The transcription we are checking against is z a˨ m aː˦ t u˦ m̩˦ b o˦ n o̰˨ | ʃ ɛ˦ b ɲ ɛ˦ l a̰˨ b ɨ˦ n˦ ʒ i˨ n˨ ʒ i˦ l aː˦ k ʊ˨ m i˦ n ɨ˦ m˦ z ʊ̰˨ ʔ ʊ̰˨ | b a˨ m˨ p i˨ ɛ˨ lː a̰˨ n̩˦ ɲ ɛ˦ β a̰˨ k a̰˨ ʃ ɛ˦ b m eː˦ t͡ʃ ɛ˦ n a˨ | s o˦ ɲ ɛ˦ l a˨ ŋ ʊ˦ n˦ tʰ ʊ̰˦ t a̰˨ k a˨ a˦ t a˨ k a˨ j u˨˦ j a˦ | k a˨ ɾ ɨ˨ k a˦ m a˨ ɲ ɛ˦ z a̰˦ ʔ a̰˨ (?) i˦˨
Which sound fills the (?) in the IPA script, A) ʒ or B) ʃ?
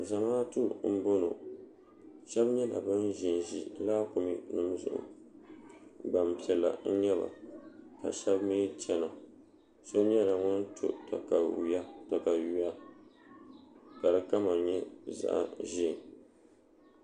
A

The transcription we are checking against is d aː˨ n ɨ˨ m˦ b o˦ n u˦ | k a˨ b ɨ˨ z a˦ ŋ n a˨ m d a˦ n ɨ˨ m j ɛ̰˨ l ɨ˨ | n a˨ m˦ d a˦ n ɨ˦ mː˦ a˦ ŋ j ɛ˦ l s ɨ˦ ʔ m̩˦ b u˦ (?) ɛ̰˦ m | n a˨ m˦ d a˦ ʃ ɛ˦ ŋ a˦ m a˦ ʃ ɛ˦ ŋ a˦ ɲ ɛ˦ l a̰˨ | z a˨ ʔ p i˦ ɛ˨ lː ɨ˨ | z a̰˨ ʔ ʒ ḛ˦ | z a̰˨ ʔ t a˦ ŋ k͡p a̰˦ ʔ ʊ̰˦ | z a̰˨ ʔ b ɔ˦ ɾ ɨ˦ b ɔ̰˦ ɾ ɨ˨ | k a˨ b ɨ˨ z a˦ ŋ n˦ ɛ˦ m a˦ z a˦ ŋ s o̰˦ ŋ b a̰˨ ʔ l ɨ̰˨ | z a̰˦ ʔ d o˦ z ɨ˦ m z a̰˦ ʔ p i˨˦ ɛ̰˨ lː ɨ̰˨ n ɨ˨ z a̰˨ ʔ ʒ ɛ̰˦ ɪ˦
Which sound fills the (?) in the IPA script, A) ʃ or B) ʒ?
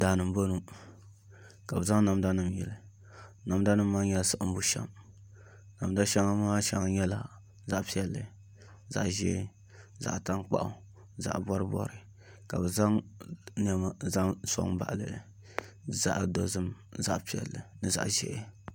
A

